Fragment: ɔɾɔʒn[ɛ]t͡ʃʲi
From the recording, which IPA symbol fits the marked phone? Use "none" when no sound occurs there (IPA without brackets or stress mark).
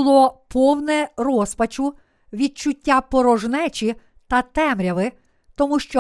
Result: ɛ